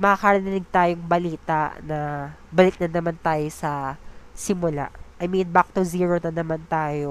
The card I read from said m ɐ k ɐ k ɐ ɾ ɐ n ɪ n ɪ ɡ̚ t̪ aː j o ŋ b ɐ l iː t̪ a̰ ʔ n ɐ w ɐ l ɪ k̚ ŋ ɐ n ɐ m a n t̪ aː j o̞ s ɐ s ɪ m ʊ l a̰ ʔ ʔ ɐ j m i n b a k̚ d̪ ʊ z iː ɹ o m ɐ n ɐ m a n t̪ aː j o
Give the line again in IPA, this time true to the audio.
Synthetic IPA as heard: m ɐ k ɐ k ɐ ɾ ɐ n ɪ n ɪ ɡ̚ t̪ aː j o ŋ b ɐ l iː t̪ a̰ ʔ n ɐ b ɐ l ɪ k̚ n ɐ n ɐ m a n t̪ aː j o̞ s ɐ s ɪ m ʊ l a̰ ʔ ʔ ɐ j m i n b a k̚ t̪ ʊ z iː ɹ o n ɐ n ɐ m a n t̪ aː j o